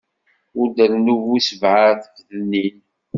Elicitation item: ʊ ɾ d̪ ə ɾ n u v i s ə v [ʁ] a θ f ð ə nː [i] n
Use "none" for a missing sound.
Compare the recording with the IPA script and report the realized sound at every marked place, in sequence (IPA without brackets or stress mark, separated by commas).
ʕ, i